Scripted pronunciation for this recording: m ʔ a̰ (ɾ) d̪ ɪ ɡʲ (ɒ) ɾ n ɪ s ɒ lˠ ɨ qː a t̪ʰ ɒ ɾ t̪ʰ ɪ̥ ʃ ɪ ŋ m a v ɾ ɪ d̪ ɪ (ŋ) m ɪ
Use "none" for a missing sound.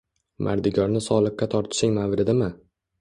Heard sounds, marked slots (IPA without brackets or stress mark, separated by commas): ɾ, ɒ, none